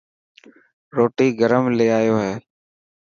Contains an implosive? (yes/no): no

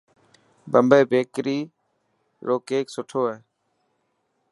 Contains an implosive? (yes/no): no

